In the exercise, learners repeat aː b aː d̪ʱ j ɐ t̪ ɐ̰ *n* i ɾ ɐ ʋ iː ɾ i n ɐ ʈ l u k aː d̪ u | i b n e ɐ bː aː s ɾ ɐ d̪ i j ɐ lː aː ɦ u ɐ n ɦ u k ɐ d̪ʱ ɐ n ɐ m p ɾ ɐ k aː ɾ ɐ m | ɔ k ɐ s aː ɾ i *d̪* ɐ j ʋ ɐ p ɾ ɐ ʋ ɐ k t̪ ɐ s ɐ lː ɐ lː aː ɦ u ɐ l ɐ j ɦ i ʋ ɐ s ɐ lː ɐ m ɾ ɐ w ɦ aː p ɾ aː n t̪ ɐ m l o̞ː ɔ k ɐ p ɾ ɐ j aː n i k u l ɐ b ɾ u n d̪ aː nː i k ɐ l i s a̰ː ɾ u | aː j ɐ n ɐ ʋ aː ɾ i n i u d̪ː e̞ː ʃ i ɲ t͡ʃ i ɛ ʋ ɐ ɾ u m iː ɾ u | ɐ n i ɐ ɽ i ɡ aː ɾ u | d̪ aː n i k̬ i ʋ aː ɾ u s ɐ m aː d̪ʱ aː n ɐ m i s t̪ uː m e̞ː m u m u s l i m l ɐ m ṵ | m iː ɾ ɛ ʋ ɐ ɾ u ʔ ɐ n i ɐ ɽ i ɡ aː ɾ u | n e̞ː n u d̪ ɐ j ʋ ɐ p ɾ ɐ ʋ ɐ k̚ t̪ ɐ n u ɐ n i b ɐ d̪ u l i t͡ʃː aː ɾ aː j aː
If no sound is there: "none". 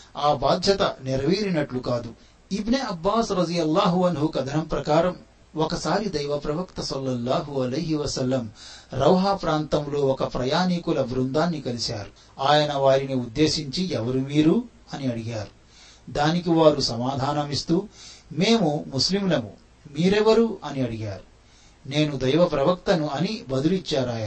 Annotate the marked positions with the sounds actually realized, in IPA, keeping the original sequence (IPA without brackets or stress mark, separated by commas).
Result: n, d̪